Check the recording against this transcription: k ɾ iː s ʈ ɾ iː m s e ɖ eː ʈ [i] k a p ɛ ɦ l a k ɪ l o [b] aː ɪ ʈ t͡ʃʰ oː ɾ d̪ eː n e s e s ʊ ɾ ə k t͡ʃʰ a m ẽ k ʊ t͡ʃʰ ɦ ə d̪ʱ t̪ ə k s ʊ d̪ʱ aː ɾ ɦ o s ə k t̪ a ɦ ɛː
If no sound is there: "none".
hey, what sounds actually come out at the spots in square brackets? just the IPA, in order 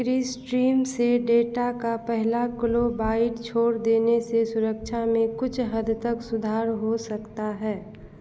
a, b

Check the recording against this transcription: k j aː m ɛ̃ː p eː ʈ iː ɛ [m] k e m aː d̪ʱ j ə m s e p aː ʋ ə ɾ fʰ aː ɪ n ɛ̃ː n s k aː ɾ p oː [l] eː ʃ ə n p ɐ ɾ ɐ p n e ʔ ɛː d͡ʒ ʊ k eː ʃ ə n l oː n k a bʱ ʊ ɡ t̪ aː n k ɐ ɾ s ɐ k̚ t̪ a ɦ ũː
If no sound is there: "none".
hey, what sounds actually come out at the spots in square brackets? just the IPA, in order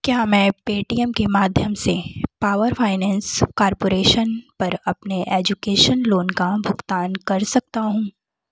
m, ɾ

